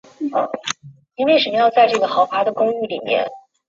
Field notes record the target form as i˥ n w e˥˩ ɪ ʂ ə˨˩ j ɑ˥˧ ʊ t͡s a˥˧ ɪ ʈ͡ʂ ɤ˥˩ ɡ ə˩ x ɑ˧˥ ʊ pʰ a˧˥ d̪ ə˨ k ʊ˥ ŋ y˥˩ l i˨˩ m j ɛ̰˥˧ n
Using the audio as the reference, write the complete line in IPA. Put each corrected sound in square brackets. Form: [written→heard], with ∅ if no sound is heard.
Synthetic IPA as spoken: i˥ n w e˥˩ ɪ ʂ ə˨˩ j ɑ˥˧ ʊ t͡s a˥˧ ɪ ʈ͡ʂ ɤ˥˩ ɡ ə˩ x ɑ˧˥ ʊ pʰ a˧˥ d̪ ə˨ k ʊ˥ ŋ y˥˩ l i˨˩ m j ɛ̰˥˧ n